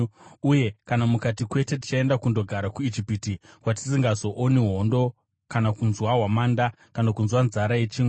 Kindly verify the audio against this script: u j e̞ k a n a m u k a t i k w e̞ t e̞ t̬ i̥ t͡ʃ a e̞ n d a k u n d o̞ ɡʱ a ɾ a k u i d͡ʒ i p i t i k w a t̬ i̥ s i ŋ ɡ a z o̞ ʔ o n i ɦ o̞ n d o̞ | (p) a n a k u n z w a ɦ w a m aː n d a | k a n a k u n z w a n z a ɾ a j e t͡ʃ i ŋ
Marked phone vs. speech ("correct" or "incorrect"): incorrect